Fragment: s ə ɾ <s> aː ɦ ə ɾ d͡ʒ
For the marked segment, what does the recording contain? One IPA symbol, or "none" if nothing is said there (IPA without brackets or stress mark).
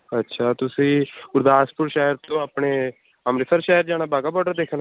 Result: ʃ